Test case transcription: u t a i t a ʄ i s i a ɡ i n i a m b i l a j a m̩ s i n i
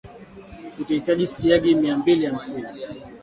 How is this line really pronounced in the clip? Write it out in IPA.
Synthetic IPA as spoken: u t a i t a ʄ i s i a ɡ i m i a m b i l i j a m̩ s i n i